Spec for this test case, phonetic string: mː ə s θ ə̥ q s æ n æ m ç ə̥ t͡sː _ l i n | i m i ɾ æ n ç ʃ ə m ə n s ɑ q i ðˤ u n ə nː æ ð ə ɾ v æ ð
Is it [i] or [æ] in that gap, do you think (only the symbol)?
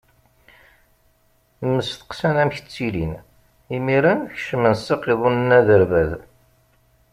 i